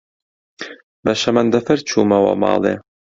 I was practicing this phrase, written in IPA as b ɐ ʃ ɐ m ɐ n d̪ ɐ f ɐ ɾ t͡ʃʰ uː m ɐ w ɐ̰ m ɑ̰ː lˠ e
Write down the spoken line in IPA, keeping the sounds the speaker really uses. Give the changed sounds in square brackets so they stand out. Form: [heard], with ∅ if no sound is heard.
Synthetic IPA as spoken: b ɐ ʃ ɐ m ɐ n d̪ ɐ f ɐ ɾ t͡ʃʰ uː m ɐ w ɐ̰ m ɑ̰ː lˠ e